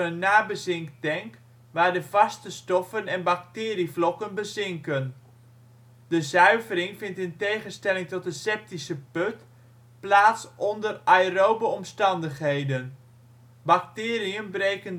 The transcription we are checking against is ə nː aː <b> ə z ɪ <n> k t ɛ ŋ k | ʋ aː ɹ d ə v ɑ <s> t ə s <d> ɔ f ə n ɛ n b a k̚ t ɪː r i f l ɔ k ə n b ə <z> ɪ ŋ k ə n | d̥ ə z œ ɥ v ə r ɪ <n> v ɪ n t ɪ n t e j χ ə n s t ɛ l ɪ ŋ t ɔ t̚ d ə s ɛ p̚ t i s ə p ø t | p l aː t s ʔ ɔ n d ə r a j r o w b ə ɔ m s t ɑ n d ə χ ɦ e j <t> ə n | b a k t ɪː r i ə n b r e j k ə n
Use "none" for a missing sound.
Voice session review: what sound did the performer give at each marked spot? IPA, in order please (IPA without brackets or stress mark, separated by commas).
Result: b, ŋ, s, t, z, ŋ, d